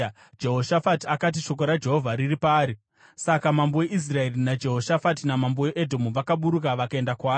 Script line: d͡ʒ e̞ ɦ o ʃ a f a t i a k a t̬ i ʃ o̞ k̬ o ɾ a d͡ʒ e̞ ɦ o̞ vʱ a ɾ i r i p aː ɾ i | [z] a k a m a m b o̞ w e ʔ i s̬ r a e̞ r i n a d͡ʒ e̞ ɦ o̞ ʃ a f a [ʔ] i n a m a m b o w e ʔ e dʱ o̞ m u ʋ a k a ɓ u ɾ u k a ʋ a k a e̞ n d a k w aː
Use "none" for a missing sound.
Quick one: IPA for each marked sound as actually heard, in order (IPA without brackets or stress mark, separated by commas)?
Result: s, t